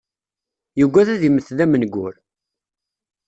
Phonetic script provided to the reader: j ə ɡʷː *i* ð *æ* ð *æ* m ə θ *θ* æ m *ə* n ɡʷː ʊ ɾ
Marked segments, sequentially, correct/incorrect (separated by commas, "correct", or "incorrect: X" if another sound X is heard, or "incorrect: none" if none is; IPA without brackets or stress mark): incorrect: æ, correct, incorrect: i, incorrect: ð, correct